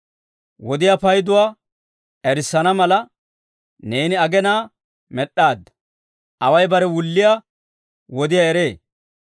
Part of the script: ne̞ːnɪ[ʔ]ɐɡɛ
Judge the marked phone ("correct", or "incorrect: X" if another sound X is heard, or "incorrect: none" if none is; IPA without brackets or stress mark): incorrect: none